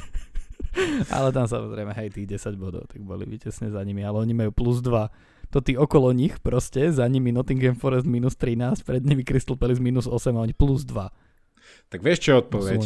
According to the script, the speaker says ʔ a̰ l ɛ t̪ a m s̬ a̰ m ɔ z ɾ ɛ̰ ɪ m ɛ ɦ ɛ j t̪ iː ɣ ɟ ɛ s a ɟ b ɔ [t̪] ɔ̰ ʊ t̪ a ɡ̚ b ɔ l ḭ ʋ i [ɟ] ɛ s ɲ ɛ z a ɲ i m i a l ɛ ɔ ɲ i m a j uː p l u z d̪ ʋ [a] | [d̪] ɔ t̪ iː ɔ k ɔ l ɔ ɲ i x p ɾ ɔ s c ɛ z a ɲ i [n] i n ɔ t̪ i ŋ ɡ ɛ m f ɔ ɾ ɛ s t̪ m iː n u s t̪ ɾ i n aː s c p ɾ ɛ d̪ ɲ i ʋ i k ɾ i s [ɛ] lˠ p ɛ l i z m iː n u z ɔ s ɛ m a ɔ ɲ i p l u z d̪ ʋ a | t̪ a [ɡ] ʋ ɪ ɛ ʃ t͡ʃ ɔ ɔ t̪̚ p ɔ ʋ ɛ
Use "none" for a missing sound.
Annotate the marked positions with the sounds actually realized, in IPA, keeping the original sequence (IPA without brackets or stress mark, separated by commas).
d̪, c, a, t̪, m, i, ɡ